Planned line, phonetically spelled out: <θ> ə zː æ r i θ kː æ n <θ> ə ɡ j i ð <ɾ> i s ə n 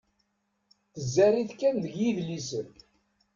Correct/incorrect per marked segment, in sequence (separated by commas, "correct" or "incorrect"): correct, incorrect, incorrect